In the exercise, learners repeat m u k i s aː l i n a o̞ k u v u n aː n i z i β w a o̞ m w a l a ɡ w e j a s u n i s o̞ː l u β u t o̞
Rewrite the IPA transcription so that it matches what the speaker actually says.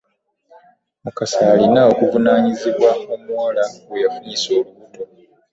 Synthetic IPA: m u k a s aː l i n a o̞ k u v u n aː ɲ i z i β w a o̞ m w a l a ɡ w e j a f u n i s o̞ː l u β u t o̞